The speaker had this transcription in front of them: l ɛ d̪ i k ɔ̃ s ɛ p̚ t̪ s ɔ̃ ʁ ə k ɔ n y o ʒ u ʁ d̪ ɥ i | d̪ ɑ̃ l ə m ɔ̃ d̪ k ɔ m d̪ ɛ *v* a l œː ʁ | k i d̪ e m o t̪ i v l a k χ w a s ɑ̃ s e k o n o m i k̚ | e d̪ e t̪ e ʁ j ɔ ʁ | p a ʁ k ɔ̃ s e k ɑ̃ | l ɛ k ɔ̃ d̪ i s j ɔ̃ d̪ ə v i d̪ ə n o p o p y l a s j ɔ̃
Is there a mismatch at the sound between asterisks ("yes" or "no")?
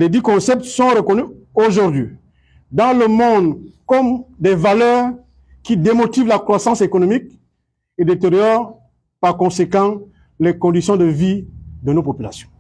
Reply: no